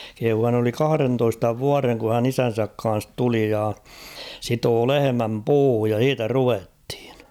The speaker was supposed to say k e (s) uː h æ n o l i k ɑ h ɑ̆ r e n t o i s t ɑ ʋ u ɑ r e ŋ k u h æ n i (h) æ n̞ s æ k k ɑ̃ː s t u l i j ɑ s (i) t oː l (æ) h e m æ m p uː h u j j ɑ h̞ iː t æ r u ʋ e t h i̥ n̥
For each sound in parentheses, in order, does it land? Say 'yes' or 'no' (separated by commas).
no, no, yes, no